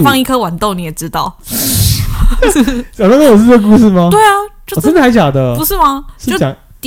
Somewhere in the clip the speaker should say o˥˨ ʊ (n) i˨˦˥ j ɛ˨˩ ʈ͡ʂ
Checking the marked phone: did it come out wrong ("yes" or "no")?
no